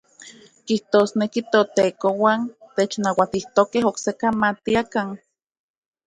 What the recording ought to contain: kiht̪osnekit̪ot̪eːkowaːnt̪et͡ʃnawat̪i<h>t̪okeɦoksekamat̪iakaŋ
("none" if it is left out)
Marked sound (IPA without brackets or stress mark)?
h